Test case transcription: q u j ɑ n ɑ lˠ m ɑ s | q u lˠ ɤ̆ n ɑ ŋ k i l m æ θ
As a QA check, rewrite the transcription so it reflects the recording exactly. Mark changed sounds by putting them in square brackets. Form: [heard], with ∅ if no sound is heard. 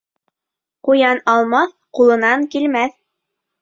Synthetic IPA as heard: q u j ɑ n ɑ lˠ m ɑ [θ] | q u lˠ ɤ̆ n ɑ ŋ k i l m æ θ